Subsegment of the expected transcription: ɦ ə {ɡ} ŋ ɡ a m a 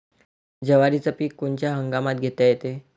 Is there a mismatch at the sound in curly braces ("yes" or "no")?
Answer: yes